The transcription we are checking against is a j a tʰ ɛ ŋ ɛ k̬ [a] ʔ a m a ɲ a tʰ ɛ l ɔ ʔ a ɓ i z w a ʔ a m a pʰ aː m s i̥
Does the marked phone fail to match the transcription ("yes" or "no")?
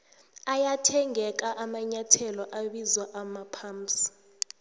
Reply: no